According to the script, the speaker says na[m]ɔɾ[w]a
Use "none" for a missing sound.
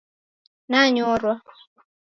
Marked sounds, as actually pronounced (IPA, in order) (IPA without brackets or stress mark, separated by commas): ɲ, w